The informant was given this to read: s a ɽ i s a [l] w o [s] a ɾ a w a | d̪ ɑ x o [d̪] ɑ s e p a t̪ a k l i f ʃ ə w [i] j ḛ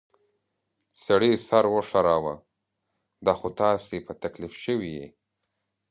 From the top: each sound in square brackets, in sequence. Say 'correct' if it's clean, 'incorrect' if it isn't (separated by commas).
incorrect, incorrect, incorrect, correct